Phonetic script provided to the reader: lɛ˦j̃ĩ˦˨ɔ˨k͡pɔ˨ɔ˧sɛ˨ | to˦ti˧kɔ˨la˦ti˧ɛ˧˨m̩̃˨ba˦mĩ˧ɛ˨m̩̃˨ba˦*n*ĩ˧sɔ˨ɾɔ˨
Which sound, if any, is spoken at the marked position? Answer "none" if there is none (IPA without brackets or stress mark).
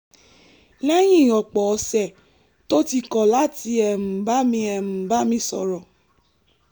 m